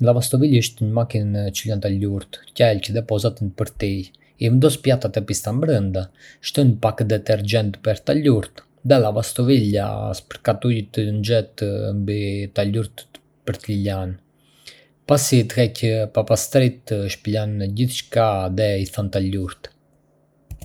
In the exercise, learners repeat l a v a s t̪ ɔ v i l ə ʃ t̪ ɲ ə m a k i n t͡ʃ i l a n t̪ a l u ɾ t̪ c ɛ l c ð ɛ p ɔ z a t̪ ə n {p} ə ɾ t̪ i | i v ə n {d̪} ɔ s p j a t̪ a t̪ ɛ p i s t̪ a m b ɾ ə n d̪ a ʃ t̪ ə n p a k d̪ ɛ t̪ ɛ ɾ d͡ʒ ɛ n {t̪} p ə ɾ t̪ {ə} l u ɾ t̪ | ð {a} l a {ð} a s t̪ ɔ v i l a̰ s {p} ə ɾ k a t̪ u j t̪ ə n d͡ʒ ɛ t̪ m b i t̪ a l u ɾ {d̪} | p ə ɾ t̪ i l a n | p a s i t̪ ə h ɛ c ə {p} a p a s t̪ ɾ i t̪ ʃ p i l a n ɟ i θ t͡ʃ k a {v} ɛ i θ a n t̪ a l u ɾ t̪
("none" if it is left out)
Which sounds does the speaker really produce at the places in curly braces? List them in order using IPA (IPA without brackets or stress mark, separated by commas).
p, d̪, t̪, a, ɛ, v, p, t̪, p, ð